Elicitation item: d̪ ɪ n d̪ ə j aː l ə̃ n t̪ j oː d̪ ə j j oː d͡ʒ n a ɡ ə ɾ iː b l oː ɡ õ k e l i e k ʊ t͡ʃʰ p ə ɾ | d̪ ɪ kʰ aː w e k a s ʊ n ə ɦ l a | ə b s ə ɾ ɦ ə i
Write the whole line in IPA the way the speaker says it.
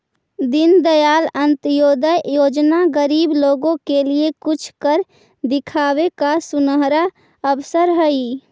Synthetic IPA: d̪ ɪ n d̪ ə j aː l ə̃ n t̪ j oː d̪ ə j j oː d͡ʒ n a ɡ ə ɾ iː b l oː ɡ õ k e l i e k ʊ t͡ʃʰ k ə ɾ | d̪ ɪ kʰ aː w e k a s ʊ n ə ɦ ɾ a | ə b s ə ɾ ɦ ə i